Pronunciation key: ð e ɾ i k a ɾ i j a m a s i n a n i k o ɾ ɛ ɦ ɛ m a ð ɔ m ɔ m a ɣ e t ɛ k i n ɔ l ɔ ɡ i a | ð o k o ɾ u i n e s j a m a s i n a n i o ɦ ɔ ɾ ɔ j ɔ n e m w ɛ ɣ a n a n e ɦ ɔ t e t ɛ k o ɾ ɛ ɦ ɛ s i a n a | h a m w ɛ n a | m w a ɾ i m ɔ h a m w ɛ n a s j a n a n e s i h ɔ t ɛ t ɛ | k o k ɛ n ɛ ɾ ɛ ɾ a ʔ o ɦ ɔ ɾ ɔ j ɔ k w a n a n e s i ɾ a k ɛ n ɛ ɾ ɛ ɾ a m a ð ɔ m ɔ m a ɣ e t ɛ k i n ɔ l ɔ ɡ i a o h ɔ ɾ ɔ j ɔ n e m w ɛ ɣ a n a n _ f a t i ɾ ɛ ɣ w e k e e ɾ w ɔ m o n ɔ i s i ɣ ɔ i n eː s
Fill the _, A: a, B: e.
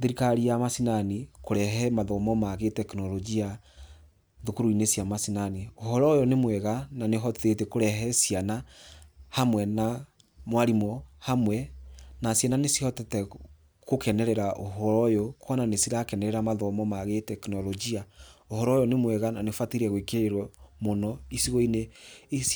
B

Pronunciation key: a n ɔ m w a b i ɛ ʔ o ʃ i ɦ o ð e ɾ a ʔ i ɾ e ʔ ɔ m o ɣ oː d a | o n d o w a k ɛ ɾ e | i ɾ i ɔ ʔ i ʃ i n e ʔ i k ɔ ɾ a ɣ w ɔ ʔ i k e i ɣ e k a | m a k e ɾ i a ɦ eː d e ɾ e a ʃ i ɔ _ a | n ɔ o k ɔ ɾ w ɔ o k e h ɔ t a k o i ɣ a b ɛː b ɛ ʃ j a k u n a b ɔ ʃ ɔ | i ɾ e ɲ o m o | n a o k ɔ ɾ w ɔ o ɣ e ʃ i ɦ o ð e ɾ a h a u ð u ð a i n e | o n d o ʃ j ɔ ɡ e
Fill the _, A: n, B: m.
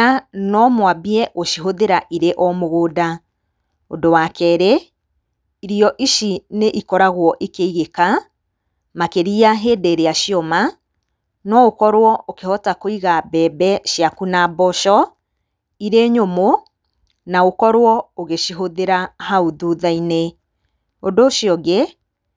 B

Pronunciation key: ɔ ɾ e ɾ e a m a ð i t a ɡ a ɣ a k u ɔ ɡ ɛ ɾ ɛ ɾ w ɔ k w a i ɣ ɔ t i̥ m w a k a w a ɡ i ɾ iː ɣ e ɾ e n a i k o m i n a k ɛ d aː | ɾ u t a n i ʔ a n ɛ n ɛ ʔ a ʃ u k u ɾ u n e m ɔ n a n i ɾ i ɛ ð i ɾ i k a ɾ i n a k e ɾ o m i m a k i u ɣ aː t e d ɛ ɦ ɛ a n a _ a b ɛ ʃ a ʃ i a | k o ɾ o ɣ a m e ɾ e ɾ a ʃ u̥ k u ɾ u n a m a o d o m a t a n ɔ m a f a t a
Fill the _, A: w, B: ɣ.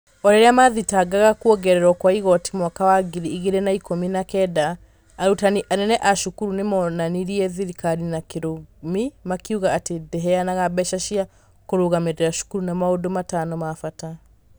B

